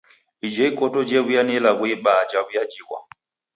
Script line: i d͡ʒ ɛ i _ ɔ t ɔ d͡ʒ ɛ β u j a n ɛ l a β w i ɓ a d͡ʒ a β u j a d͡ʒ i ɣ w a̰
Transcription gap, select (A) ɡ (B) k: B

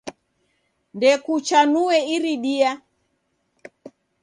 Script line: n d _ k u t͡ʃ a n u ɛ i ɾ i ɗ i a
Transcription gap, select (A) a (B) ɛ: B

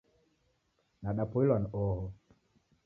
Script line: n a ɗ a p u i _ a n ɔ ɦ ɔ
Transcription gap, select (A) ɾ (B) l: B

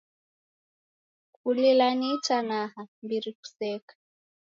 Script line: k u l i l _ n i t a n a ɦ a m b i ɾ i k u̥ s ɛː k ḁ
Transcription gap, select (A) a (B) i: A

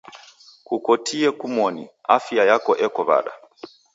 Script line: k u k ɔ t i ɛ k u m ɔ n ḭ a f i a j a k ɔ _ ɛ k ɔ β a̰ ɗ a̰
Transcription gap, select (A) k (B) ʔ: B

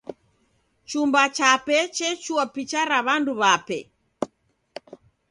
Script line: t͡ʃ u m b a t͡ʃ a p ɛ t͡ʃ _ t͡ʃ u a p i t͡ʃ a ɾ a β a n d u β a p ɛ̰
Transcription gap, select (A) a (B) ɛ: B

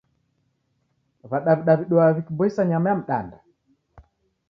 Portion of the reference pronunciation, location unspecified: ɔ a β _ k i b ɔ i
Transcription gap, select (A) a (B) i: B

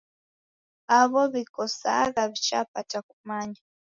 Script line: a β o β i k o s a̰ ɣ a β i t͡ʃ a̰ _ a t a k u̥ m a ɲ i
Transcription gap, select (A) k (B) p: B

